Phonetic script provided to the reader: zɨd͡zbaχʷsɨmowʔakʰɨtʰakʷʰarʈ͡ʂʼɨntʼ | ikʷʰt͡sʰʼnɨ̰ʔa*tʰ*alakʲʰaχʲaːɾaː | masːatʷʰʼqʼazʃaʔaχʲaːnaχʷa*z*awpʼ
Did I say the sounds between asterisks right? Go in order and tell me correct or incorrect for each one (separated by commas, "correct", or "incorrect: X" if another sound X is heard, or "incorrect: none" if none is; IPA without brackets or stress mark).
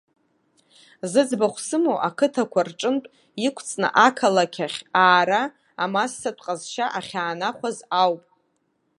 incorrect: kʰ, correct